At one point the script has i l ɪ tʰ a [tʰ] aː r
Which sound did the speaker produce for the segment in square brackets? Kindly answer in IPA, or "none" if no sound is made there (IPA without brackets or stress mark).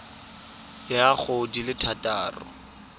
t